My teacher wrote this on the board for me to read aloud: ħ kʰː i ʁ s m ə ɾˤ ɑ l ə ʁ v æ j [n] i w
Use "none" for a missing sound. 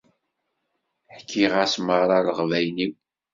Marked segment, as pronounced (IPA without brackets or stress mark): n